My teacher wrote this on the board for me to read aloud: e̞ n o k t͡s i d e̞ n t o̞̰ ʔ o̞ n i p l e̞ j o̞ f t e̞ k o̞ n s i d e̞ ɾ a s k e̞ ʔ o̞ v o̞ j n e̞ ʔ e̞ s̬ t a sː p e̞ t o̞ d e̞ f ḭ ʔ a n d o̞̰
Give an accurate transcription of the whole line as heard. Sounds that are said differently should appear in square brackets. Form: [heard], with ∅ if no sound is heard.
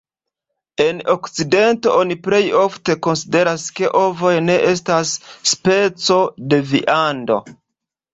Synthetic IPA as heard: e̞ n o k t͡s i d e̞ n t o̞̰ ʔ o̞ n i p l e̞ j o̞ f t e̞ k o̞ n s i d e̞ ɾ a s k e̞ ʔ o̞ v o̞ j n e̞ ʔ e̞ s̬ t a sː p e̞ [t͡s] o̞ d e̞ [v] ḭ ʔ a n d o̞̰